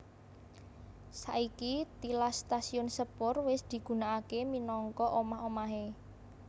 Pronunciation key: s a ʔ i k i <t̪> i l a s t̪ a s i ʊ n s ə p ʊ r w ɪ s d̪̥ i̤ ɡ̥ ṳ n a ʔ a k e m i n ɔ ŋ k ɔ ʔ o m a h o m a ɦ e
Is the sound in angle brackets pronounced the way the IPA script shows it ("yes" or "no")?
yes